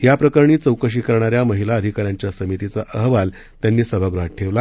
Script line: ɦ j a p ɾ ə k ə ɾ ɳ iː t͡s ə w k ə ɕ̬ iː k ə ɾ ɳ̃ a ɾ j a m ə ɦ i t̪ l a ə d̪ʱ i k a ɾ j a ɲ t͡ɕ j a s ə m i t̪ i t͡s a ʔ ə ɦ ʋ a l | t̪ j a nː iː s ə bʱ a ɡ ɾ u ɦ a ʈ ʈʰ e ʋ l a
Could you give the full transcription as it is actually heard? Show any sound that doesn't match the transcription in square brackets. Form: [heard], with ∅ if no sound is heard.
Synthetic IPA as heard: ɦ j a p ɾ ə k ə ɾ ɳ iː t͡s ə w k ə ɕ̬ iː k ə ɾ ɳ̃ a ɾ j a m ə ɦ i [∅] l a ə d̪ʱ i k a ɾ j a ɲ t͡ɕ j a s ə m i t̪ i t͡s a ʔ ə ɦ ʋ a l | t̪ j a nː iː s ə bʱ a ɡ ɾ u ɦ a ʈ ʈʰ e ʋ l a